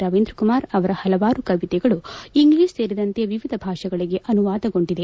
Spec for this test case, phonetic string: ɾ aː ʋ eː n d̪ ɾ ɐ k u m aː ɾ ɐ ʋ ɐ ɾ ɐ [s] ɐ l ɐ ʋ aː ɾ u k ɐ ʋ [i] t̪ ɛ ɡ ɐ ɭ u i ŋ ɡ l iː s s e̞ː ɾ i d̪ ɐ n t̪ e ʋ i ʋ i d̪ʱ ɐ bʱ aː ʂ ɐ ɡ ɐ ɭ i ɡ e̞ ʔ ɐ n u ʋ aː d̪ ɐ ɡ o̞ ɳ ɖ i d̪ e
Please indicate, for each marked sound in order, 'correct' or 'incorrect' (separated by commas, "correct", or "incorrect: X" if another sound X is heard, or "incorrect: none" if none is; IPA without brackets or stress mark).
incorrect: h, correct